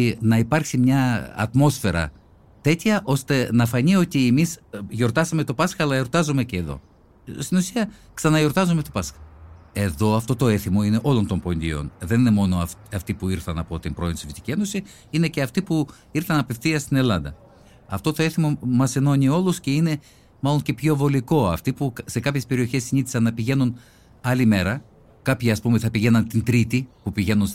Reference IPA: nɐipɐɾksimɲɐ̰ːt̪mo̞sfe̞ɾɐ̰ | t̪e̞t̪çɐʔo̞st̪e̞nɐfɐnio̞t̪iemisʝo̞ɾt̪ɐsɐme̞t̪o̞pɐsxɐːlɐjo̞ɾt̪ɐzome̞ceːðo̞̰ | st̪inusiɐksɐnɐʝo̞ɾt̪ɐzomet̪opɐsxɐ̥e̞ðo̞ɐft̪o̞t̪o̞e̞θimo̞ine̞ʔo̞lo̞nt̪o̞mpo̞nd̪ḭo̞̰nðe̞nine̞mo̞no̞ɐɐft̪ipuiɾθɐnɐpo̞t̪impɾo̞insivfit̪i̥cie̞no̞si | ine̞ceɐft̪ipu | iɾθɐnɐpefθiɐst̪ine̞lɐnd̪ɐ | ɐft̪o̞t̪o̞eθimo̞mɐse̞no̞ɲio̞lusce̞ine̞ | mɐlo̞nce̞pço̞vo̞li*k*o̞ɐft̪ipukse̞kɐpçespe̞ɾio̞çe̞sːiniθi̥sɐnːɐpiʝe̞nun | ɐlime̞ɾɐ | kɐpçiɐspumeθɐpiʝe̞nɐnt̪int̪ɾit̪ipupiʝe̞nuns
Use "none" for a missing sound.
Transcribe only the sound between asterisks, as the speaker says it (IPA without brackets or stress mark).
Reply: k